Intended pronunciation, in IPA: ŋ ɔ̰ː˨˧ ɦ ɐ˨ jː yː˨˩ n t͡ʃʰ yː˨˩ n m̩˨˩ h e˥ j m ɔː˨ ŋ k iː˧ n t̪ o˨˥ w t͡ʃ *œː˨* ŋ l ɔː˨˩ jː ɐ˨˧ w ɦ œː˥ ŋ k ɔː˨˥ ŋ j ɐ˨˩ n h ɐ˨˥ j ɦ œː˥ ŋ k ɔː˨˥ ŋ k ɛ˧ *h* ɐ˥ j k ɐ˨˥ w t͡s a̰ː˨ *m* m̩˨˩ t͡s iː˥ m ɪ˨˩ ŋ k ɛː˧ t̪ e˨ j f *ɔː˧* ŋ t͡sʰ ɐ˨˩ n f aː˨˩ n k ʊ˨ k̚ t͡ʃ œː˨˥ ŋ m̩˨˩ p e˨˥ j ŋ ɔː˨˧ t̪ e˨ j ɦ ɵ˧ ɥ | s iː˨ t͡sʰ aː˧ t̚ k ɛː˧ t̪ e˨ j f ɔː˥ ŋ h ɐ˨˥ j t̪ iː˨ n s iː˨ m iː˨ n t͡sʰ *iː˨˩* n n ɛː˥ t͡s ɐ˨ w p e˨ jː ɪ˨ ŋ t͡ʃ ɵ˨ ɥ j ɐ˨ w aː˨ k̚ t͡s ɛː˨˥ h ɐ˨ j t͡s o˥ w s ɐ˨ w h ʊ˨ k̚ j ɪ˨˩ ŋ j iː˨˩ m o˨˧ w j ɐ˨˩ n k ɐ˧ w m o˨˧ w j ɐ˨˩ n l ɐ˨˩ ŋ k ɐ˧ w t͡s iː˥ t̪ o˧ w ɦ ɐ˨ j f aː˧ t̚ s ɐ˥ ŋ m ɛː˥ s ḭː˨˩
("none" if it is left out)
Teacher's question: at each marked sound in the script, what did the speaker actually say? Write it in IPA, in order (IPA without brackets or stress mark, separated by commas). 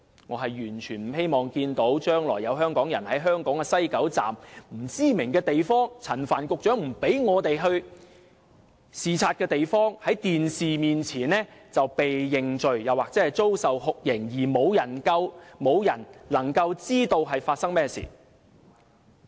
œː˥, s, m, ɔː˥, iː˨˩